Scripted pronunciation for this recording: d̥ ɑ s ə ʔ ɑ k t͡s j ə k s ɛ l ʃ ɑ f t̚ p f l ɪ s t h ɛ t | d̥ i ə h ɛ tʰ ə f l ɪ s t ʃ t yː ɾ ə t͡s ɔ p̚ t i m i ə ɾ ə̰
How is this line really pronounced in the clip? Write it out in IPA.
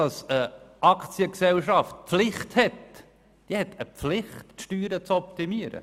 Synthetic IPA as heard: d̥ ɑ s ə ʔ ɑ k t͡s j ə k s ɛ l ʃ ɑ f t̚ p f l ɪ χ t h ɛ t | d̥ i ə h ɛ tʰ ə f l ɪ χ t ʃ t yː ɾ ə t͡s ɔ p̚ t i m i ə ɾ ə̰